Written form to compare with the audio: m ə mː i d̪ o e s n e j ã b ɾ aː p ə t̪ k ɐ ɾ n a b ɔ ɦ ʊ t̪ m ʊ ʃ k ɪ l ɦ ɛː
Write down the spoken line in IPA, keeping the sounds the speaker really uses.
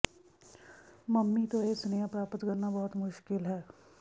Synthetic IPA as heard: m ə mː i t̪ o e s n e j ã p ɾ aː p ə t̪ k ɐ ɾ n a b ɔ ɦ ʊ t̪ m ʊ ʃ k ɪ l ɦ ɛː